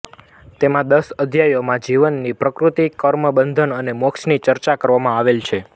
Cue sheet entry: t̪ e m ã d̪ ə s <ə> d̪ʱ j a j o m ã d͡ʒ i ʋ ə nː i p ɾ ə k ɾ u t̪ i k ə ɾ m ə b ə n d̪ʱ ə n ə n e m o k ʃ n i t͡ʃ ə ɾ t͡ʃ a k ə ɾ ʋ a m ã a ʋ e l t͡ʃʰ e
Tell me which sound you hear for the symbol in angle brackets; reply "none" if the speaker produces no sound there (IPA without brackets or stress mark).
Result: ə